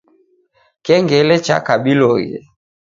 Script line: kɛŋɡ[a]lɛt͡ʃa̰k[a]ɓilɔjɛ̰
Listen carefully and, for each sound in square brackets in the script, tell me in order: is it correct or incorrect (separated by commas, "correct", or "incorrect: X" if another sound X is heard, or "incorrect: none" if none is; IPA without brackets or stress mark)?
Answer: incorrect: ɛ, correct